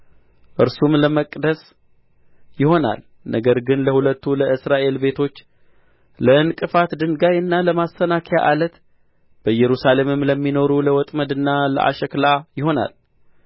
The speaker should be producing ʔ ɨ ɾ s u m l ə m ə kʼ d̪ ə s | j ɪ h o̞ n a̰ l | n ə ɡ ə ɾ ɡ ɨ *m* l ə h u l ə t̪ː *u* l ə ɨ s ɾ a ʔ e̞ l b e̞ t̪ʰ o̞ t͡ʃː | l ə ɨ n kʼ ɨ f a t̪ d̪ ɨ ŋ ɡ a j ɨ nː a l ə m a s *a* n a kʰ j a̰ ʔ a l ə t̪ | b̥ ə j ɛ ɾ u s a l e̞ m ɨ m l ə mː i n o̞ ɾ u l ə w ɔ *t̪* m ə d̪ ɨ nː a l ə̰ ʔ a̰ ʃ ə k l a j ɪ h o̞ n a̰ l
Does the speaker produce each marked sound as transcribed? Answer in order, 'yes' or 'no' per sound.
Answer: no, yes, no, no

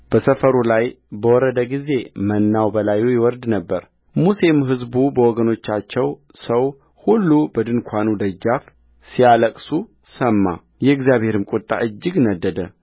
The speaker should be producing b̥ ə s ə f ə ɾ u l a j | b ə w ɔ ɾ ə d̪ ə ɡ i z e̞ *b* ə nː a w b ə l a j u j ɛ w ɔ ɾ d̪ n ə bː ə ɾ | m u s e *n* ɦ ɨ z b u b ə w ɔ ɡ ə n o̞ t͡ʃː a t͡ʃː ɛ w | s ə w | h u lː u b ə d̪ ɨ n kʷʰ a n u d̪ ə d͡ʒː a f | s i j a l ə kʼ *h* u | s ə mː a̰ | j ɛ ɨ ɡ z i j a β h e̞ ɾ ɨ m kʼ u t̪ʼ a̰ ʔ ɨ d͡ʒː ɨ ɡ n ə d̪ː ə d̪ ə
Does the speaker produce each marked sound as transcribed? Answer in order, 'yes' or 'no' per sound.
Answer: no, no, no

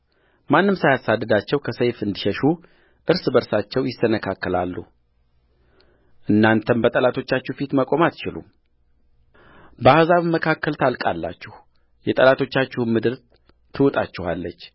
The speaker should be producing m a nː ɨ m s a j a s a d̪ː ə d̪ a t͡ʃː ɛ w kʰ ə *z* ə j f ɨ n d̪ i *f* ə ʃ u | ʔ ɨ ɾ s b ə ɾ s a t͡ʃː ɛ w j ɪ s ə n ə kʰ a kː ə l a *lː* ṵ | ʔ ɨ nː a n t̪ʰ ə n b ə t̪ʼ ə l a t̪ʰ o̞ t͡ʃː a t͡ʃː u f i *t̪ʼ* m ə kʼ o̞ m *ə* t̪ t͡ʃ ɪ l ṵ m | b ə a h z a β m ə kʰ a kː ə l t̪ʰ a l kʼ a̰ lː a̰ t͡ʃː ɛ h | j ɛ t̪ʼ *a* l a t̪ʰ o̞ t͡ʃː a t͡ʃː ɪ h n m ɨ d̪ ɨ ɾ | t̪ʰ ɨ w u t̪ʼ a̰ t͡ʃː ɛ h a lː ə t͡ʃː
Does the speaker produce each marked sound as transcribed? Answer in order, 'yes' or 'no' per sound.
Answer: no, no, yes, no, no, no

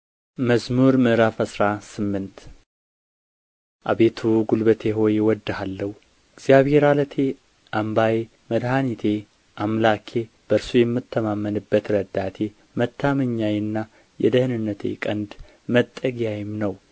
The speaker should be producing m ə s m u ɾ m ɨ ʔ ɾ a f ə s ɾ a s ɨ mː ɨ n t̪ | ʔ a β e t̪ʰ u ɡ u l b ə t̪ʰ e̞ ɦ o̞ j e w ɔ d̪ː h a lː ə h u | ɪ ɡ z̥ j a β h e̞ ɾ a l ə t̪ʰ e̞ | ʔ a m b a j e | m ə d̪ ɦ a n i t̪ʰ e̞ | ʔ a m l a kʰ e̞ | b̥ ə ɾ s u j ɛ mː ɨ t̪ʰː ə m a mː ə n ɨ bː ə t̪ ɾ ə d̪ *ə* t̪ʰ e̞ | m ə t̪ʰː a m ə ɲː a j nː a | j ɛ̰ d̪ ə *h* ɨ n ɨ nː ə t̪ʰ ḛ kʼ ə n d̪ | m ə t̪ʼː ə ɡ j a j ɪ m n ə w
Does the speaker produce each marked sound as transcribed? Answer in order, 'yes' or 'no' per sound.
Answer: no, yes

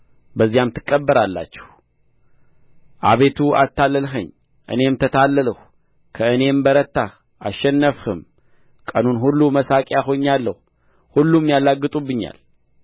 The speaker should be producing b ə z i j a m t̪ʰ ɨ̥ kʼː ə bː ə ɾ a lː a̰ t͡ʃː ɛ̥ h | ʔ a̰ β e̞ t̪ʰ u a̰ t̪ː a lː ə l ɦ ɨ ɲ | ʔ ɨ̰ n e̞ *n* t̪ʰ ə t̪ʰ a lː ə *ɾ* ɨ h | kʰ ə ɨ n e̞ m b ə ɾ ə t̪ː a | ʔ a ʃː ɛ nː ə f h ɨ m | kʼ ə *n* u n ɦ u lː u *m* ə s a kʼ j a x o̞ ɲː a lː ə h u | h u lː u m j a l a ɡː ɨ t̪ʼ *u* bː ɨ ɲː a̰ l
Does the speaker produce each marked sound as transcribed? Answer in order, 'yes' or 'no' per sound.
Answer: no, no, yes, yes, yes

